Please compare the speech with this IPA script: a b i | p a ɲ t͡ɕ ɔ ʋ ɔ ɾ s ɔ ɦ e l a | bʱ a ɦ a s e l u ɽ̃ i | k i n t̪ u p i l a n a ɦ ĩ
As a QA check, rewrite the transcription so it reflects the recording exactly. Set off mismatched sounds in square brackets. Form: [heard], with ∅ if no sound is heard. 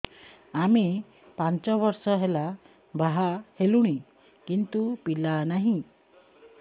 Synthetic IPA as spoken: a [m] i | p a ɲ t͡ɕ ɔ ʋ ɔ ɾ s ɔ ɦ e l a | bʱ a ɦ a [h] e l u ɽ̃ i | k i n t̪ u p i l a n a ɦ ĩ